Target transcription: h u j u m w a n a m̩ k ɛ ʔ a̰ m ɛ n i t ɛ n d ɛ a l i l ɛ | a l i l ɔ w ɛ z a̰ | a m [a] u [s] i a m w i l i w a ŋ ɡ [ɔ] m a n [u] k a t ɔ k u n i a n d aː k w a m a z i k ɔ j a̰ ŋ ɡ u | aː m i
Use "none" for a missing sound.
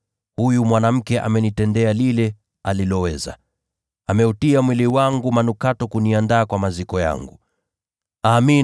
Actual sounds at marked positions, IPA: ɛ, t, u, u

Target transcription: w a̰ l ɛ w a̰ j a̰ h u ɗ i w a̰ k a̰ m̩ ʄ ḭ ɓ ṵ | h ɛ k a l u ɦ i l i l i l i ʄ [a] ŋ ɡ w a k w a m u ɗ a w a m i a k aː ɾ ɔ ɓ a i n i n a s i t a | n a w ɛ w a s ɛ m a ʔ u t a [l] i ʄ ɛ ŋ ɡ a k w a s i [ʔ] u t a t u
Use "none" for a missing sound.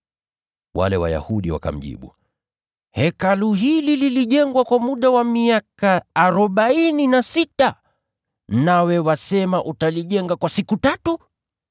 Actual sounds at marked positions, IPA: ɛ, l, k

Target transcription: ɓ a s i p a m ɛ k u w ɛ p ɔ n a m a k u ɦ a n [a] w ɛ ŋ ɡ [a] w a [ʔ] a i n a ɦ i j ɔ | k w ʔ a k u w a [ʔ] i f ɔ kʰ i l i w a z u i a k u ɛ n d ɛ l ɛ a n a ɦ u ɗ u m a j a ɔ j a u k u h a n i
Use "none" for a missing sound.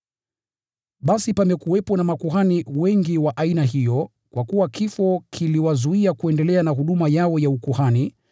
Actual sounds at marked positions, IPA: i, i, ʔ, k

